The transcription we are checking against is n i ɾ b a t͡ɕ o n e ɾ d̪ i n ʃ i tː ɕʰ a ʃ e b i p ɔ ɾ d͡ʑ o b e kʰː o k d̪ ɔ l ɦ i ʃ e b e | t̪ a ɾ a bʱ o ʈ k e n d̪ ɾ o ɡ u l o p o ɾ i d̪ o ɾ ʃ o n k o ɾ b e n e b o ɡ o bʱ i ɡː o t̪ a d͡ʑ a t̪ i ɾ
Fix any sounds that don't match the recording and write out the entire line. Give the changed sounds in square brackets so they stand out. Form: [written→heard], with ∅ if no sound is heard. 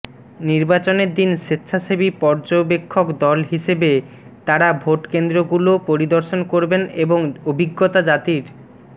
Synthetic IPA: n i ɾ b a t͡ɕ o n e ɾ d̪ i n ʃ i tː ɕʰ a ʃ e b i p ɔ ɾ d͡ʑ o b e kʰː o k d̪ ɔ l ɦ i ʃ e b e | t̪ a ɾ a bʱ o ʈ k e n d̪ ɾ o ɡ u l o p o ɾ i d̪ o ɾ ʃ o n k o ɾ b e n e b o [ɡ→ŋ] o bʱ i ɡː o t̪ a d͡ʑ a t̪ i ɾ